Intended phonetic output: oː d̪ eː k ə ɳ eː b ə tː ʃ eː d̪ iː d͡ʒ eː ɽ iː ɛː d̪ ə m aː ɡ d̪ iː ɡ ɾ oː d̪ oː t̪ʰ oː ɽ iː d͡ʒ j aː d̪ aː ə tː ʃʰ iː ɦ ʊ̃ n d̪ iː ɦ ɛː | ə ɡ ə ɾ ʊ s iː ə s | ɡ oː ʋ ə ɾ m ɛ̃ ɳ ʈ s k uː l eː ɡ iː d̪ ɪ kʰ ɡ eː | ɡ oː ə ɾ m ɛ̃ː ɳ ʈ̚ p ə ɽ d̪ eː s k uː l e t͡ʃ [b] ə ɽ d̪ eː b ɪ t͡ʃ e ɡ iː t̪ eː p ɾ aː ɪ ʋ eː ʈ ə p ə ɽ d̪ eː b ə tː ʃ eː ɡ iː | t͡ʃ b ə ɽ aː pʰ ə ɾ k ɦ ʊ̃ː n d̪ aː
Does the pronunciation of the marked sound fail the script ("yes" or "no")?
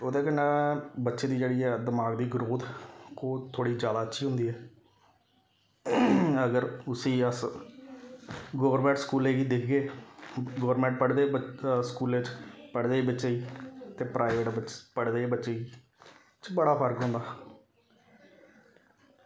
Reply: yes